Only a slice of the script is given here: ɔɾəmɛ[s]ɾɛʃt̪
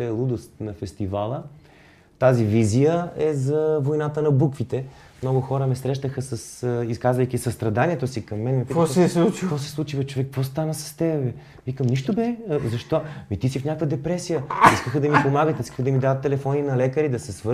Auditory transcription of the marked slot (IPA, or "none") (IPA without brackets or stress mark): s